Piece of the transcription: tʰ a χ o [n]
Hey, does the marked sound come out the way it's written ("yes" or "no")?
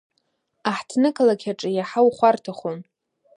yes